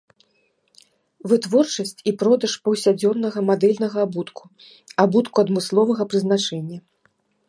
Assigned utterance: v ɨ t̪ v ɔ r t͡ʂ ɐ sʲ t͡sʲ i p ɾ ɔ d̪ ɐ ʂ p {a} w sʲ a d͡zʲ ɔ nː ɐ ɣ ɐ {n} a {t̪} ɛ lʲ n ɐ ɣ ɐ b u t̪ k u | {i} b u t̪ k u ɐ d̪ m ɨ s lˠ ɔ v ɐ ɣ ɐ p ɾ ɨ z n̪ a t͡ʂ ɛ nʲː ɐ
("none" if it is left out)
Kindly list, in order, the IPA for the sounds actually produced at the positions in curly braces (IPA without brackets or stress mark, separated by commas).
ɐ, m, d̪, a